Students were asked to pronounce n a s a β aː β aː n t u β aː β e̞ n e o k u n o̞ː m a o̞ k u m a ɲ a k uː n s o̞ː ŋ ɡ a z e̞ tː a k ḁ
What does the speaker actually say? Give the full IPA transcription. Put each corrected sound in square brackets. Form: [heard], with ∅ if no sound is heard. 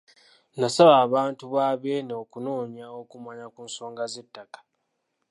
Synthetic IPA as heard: n a s a β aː β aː n t u β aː β e̞ n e o k u n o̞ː [ɲ] a o̞ k u m a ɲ a k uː n s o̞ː ŋ ɡ a z e̞ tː a k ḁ